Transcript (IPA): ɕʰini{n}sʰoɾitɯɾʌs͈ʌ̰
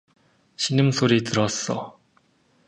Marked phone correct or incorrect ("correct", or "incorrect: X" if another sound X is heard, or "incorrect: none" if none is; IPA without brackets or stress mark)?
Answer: incorrect: m